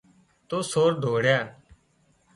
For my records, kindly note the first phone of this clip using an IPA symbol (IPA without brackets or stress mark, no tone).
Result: t̪